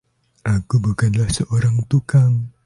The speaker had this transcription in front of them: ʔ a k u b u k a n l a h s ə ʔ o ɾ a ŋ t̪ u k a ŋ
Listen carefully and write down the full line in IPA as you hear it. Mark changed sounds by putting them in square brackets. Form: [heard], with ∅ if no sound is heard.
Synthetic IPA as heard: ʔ a k u b u k a n l a h s ə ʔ o ɾ a ŋ t̪ u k a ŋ